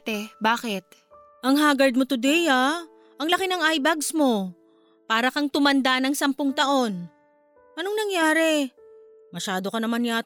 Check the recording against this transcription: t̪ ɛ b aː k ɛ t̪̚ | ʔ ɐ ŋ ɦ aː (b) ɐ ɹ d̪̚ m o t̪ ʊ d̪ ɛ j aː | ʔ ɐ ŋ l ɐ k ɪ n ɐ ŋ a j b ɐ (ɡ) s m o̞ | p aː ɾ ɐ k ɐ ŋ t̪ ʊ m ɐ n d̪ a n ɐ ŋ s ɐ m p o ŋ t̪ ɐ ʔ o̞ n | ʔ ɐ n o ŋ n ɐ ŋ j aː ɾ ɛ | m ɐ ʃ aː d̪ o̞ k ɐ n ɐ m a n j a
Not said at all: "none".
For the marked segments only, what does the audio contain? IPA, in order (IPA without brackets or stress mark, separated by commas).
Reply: ɡ, ɡ